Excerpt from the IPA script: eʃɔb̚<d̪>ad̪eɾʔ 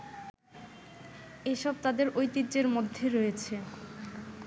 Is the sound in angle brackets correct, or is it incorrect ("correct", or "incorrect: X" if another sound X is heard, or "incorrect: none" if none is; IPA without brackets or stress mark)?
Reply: incorrect: t̪